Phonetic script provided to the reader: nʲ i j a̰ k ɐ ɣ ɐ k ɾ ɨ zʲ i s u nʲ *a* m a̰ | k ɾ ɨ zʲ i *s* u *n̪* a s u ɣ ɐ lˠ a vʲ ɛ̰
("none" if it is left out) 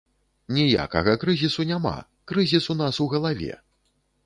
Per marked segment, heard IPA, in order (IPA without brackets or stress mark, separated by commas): a, s, n̪